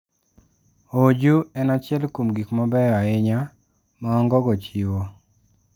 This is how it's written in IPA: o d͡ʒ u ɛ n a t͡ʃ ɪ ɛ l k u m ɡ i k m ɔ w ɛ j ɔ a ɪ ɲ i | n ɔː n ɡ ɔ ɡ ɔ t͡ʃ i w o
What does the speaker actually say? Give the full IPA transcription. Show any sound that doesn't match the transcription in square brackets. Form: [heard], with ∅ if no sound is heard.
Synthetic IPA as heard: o d͡ʒ u ɛ n a t͡ʃ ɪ ɛ l k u m ɡ i k m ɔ [b] ɛ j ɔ a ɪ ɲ [a] | [m] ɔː [ŋ] ɡ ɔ ɡ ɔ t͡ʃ i w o